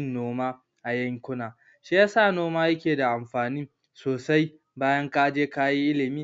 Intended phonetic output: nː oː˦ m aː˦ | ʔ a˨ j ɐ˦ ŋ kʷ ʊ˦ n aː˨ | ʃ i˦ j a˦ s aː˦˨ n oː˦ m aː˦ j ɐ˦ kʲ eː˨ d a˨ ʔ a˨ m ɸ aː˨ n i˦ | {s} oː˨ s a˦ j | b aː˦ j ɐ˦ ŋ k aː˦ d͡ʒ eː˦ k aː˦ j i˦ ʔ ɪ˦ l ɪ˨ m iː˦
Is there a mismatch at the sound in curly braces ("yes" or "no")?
no